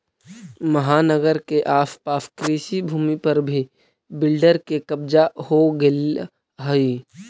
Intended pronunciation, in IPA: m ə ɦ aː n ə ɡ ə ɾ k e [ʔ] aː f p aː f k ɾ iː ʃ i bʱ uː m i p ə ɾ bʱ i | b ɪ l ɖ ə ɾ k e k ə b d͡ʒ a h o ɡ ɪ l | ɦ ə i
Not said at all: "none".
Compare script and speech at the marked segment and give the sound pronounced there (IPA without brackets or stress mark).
ʔ